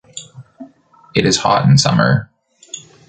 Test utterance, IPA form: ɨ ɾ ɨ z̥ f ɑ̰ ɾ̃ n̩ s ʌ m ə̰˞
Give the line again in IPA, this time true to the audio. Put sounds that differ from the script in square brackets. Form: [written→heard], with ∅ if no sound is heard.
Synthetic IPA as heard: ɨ ɾ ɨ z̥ [f→h] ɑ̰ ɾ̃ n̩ s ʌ m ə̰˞